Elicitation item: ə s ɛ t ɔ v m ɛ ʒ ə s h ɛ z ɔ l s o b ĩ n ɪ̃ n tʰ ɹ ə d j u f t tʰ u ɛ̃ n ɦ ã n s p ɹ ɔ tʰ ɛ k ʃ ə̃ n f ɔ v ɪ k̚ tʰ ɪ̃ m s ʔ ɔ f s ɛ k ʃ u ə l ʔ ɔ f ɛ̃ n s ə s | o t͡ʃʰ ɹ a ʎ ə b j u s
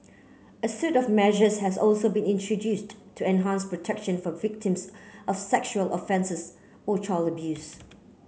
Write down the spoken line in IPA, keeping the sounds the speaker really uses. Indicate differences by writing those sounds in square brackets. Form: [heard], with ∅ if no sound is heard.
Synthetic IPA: ə s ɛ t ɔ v m ɛ ʒ ə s h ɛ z ɔ l s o b ĩ n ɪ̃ n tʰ ɹ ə d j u [s] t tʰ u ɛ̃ n ɦ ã n s p ɹ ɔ tʰ ɛ k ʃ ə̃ n f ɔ v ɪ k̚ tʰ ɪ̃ m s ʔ ɔ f s ɛ k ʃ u ə l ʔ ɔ f ɛ̃ n s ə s | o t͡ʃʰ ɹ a [l] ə b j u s